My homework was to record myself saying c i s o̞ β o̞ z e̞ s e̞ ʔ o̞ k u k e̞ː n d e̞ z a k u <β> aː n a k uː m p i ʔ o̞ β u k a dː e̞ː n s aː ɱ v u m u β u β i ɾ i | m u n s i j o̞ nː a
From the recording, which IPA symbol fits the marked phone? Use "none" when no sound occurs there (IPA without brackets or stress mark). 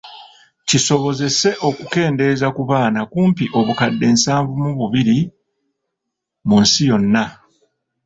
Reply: β